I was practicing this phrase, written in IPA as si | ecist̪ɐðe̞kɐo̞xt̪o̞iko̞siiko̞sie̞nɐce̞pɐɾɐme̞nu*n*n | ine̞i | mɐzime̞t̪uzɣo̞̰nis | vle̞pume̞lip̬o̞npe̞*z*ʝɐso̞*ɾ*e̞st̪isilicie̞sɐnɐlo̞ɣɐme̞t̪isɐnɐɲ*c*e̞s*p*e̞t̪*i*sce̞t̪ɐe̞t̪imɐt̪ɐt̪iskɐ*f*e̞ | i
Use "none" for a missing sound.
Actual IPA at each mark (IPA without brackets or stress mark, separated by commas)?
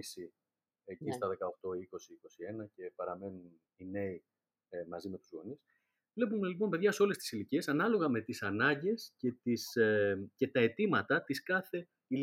n, ð, l, ɟ, c, i, θ